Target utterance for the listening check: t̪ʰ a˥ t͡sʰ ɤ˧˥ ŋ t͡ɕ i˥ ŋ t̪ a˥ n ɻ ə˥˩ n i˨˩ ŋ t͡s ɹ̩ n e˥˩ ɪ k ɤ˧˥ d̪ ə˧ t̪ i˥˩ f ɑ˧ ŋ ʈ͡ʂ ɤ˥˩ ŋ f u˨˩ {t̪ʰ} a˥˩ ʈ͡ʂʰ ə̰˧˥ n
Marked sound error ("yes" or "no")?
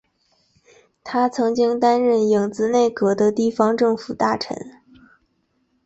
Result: yes